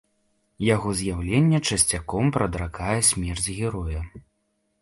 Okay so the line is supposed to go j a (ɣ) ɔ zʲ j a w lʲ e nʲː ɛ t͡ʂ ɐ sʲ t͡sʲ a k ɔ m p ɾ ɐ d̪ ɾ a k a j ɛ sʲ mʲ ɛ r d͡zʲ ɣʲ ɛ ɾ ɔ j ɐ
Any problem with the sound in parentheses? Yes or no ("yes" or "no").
no